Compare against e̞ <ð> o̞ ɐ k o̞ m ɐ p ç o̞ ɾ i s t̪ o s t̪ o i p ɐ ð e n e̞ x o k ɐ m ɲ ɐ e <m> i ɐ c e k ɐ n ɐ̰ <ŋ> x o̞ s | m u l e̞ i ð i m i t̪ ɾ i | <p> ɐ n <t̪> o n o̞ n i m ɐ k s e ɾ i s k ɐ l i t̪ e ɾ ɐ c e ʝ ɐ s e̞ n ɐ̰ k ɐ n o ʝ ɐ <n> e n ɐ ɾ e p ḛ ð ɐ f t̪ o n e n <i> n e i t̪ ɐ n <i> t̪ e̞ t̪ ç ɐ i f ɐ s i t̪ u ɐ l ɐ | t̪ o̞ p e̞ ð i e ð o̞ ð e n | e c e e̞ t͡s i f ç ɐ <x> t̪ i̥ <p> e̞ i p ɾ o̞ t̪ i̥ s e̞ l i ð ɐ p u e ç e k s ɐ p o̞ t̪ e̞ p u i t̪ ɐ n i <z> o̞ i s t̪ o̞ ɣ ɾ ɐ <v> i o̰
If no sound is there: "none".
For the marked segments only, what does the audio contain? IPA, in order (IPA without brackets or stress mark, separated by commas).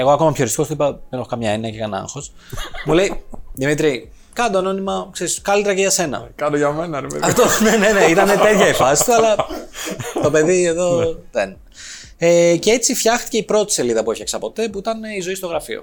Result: ɣ, n, ŋ, k, d̪, m, e, e, x, c, z, f